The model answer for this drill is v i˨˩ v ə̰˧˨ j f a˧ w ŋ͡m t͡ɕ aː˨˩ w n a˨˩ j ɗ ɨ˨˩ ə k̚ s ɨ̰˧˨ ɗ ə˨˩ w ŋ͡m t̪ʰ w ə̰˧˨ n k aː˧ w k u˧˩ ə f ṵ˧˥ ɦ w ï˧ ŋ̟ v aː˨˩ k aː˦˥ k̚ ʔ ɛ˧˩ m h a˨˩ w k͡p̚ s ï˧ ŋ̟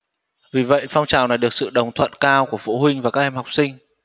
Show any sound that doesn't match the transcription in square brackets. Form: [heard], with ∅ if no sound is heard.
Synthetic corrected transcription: v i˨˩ v ə̰˧˨ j f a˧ w ŋ͡m t͡ɕ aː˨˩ w n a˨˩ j ɗ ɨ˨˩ ə k̚ s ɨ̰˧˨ ɗ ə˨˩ w ŋ͡m t̪ʰ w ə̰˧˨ n k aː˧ w k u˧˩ ə f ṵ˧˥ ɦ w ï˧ ŋ̟ v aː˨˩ k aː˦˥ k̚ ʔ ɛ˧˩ m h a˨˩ w k͡p̚ s ï˧ ŋ̟

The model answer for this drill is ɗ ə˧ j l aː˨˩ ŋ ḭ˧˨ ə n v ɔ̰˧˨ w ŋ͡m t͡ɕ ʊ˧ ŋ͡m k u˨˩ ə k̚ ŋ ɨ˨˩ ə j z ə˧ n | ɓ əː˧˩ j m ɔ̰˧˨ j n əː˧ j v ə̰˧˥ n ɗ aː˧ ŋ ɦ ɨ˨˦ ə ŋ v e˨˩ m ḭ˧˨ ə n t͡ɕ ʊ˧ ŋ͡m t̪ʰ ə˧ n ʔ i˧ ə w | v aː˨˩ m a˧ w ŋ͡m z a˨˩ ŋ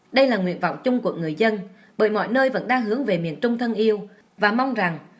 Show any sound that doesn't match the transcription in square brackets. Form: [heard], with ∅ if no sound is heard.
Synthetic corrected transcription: ɗ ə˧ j l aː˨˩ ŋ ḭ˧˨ ə n v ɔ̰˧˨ w ŋ͡m t͡ɕ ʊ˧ ŋ͡m k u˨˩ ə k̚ ŋ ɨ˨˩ ə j z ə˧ n | ɓ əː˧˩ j m ɔ̰˧˨ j n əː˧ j v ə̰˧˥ n ɗ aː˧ ŋ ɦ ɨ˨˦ ə ŋ v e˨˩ m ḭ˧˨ ə n t͡ɕ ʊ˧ ŋ͡m t̪ʰ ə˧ n ʔ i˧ ə w | v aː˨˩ m a˧ w ŋ͡m z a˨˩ ŋ

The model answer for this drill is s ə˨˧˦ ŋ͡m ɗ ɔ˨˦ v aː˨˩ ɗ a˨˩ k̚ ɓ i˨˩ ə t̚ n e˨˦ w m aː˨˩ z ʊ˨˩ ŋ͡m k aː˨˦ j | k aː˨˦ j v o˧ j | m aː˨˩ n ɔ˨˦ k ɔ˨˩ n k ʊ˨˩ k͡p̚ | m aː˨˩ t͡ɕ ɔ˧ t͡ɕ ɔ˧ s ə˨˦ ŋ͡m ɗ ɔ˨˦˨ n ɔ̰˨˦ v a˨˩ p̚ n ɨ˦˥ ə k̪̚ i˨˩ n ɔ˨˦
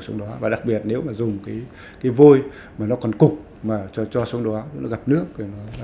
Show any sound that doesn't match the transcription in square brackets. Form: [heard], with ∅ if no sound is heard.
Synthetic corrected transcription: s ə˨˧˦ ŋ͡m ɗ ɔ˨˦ v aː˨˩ ɗ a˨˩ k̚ ɓ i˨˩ ə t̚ n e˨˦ w m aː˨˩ z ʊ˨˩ ŋ͡m k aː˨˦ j | k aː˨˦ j v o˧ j | m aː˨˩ n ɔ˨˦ k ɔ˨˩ n k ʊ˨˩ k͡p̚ | m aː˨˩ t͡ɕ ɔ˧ t͡ɕ ɔ˧ s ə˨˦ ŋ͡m ɗ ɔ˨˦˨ n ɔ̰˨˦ [ɣ] a˨˩ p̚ n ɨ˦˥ ə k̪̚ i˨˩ n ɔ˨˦

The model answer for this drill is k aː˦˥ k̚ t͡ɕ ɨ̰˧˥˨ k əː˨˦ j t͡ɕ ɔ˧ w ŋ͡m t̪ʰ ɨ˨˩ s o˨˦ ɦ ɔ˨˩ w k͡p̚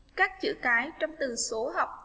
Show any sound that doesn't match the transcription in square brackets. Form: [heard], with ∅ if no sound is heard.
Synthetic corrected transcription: k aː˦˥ k̚ t͡ɕ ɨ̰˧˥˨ k [aː˨˦] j t͡ɕ ɔ˧ w ŋ͡m [t̪] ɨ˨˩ s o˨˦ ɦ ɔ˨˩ w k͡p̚

